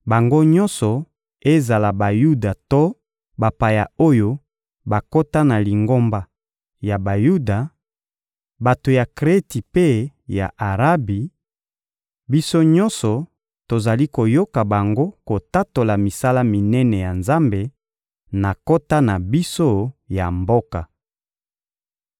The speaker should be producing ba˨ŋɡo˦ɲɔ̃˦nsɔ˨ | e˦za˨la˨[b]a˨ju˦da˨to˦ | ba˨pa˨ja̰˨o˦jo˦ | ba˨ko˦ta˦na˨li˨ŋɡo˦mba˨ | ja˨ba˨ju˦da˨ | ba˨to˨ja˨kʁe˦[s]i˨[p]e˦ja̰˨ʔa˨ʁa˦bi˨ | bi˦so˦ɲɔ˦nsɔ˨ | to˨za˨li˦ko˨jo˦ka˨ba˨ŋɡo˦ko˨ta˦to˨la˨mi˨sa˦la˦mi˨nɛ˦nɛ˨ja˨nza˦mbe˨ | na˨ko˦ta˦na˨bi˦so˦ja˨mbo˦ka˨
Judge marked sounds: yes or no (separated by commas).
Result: yes, no, yes